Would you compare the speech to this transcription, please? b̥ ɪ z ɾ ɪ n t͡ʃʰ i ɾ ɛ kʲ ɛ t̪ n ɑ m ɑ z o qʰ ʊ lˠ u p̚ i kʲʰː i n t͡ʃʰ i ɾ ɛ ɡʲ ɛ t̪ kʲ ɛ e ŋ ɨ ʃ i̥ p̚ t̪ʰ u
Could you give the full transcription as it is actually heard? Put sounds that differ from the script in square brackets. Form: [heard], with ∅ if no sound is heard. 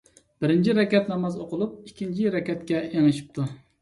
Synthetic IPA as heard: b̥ ɪ [∅] ɾ ɪ n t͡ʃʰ i ɾ ɛ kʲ ɛ t̪ n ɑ m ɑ z o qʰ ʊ lˠ u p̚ i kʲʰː i n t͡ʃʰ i ɾ ɛ [kʲ] ɛ t̪ kʲ ɛ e ŋ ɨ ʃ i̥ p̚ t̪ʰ u